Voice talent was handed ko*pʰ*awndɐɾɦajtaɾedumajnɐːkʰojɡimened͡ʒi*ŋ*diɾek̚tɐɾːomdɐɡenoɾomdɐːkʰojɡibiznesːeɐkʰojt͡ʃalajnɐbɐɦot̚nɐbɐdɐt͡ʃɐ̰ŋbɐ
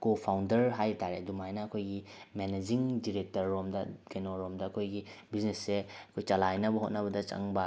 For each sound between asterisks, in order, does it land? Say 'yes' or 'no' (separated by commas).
yes, yes